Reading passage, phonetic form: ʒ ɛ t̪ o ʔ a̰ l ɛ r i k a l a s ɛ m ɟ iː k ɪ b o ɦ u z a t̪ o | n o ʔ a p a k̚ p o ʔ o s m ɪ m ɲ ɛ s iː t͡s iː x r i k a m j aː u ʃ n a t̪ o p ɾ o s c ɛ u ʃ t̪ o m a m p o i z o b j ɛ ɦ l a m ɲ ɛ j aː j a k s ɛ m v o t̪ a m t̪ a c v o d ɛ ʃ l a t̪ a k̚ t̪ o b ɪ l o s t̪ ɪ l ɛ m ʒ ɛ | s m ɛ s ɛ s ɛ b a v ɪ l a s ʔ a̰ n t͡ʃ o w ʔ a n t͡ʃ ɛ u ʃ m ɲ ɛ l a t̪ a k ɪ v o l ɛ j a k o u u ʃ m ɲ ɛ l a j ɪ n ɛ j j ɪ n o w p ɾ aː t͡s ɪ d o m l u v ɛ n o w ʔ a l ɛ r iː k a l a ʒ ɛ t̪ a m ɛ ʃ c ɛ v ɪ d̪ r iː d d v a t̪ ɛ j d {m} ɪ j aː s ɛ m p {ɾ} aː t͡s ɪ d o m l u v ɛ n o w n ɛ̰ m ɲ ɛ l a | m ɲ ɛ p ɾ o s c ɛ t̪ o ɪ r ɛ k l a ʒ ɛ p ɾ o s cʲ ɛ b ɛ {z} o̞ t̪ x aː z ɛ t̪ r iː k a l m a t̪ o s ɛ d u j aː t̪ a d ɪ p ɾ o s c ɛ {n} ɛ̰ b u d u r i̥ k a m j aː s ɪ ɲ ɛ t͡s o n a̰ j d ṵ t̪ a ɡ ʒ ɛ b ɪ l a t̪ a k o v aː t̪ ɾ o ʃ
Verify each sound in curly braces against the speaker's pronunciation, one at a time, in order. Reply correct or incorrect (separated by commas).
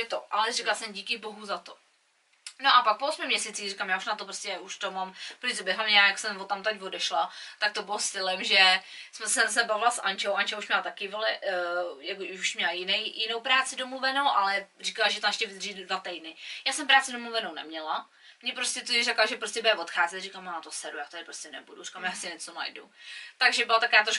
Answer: incorrect, correct, incorrect, correct